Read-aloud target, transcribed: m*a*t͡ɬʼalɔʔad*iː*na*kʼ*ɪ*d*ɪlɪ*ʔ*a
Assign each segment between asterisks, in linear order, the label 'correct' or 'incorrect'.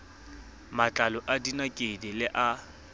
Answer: correct, incorrect: i, correct, correct, correct

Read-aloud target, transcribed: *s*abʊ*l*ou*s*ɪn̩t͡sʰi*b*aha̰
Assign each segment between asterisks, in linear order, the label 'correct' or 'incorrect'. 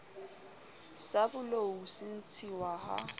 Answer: correct, correct, correct, incorrect: w

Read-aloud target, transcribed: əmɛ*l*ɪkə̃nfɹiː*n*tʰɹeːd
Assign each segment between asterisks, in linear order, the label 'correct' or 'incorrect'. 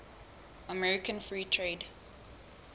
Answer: incorrect: ɹ, incorrect: none

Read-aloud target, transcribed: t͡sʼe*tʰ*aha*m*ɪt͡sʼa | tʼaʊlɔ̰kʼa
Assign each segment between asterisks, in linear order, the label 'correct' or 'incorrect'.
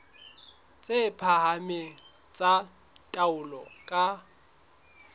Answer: incorrect: pʰ, correct

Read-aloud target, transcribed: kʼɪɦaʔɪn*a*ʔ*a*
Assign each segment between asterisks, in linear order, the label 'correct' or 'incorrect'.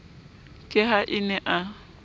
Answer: incorrect: ɛ, correct

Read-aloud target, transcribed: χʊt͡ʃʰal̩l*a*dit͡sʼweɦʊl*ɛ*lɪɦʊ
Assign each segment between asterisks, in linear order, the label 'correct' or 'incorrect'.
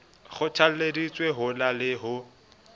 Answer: incorrect: e, incorrect: a

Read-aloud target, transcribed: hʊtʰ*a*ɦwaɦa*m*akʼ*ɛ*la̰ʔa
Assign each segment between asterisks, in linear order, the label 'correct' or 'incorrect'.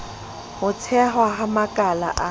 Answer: incorrect: ɛ, correct, incorrect: a

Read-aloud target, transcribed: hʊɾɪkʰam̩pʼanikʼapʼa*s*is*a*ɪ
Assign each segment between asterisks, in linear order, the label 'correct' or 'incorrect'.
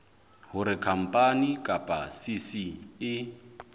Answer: correct, incorrect: i

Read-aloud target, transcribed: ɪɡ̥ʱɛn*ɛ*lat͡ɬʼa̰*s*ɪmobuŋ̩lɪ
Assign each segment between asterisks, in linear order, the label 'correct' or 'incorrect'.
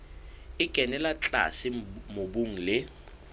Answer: correct, correct

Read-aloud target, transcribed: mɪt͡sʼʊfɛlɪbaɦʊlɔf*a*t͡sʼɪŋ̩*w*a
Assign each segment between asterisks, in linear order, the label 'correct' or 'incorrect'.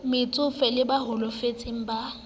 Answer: incorrect: e, incorrect: b

